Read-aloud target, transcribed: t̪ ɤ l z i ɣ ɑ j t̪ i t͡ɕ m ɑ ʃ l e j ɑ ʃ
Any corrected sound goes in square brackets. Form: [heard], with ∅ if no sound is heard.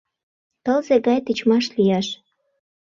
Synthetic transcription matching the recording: t̪ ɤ l z [e] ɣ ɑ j t̪ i t͡ɕ m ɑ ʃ l [i] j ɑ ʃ